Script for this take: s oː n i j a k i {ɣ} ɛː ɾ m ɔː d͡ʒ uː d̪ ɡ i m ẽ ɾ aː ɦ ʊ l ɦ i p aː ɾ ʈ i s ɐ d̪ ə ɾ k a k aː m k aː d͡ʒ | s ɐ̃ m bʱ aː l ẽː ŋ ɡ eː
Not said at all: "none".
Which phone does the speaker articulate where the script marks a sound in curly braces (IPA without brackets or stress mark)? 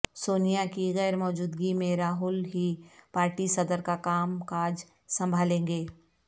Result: ɣ